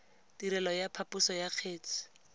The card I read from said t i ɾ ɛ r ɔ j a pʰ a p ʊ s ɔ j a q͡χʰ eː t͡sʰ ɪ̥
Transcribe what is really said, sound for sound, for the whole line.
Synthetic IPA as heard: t i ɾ ɛ l ɔ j a pʰ a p ʊ s ɔ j a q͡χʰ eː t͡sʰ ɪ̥